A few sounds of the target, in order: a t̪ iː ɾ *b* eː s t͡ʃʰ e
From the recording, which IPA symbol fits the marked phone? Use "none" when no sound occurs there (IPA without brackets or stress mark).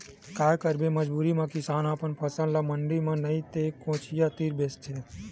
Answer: b